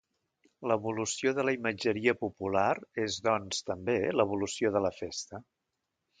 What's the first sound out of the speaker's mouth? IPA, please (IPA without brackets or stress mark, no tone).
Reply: l